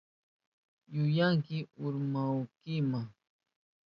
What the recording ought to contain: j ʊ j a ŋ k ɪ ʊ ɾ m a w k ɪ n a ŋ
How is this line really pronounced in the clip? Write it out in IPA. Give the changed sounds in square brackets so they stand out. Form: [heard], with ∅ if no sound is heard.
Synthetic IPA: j ʊ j a ŋ k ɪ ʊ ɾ m a w k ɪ [m] a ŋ